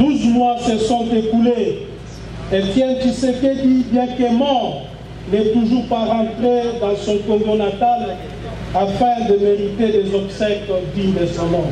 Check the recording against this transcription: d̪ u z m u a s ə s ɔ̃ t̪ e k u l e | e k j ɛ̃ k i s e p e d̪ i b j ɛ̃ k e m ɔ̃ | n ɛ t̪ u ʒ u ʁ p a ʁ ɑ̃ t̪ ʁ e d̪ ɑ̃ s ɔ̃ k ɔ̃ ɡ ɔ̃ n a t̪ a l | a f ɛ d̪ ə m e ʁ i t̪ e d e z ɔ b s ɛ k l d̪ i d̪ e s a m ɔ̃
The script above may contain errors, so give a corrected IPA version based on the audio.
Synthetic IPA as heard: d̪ u z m w a s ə s ɔ̃ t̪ e k u l e | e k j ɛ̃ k i s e k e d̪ i b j ɛ̃ k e m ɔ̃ | n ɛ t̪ u ʒ u ʁ p a ʁ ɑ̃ t̪ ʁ e d̪ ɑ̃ s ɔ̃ k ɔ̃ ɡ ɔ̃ n a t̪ a l | a f ɛ̃ d̪ ə m e ʁ i t̪ e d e z ɔ b s ɛ k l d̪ i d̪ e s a m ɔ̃